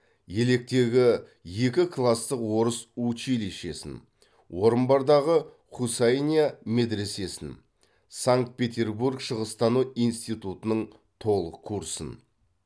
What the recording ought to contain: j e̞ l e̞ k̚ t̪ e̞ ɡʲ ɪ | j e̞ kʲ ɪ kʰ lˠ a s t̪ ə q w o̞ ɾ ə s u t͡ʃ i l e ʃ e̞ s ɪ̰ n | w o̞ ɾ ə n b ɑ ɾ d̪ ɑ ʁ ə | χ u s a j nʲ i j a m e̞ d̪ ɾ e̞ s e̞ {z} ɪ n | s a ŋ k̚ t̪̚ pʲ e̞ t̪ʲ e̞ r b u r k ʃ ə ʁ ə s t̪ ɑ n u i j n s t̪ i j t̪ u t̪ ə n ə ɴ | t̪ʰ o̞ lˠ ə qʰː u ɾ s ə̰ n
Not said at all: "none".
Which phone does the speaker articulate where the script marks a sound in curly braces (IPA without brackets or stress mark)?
s